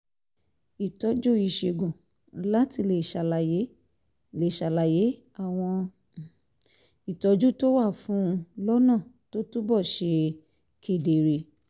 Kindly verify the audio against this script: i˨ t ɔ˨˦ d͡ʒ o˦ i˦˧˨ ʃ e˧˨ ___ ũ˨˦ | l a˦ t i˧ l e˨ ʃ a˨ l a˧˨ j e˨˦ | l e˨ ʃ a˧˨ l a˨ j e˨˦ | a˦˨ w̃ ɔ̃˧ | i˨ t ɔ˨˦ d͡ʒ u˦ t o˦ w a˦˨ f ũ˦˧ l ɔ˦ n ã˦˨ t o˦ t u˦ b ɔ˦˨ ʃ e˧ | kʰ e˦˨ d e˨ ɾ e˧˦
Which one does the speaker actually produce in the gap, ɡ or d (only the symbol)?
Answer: ɡ